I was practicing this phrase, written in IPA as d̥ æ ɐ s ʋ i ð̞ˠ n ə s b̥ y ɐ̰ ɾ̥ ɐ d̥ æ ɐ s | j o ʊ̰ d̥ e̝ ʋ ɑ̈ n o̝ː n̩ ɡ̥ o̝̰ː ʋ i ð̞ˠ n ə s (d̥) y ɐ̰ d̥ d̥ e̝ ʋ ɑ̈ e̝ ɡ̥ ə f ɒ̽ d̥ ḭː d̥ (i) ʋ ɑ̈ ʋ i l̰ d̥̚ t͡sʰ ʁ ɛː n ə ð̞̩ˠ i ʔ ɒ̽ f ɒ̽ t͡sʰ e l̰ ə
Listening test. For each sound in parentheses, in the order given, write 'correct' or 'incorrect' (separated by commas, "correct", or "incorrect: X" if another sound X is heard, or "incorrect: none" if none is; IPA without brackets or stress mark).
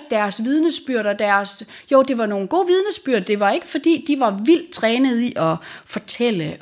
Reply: incorrect: b̥, correct